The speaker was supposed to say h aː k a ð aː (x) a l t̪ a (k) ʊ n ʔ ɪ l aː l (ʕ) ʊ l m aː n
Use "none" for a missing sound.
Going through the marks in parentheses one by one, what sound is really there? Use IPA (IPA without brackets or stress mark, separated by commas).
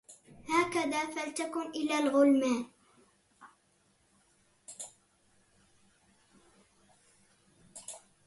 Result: f, k, ɣ